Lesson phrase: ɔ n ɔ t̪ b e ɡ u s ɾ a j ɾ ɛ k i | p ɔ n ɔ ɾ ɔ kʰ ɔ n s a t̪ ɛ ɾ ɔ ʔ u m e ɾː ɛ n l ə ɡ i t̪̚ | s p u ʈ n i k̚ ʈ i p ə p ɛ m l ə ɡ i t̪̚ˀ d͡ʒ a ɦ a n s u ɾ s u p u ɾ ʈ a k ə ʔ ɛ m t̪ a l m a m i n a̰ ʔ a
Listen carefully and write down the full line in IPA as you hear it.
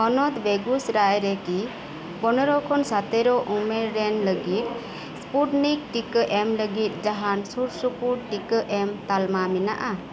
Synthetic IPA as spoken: ɔ n ɔ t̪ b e ɡ u s ɾ a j ɾ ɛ k i | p ɔ n ɔ ɾ ɔ kʰ ɔ n s a t̪ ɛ ɾ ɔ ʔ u m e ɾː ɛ n l ə ɡ i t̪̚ | s p u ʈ n i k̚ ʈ i k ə ʔ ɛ m l ə ɡ i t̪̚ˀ d͡ʒ a ɦ a n s u ɾ s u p u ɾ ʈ i k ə ʔ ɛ m t̪ a l m a m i n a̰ ʔ a